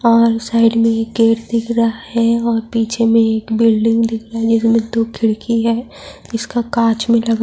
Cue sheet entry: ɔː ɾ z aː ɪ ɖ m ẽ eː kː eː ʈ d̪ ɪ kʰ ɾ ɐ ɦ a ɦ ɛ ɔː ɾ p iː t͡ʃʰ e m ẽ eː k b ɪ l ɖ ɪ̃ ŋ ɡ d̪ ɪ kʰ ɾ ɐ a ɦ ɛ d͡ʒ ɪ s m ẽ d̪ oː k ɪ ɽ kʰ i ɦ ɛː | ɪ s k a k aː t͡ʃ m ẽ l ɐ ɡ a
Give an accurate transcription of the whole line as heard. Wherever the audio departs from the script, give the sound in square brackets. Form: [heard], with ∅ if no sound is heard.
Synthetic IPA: ɔː ɾ [s] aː ɪ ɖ m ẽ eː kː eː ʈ d̪ ɪ kʰ ɾ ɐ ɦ a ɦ ɛ ɔː ɾ p iː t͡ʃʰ e m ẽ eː k b ɪ l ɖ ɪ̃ ŋ ɡ d̪ ɪ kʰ ɾ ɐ a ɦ ɛ d͡ʒ ɪ s m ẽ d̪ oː [kʰ] ɪ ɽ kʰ i ɦ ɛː | ɪ s k a k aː t͡ʃ m ẽ l ɐ ɡ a